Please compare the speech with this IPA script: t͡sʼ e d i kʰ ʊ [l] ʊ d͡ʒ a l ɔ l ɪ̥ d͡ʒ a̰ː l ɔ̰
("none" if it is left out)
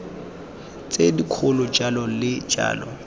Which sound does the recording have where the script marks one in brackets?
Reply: l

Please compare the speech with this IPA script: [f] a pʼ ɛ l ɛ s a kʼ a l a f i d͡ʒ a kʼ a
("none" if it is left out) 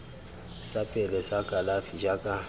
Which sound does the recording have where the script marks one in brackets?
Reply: s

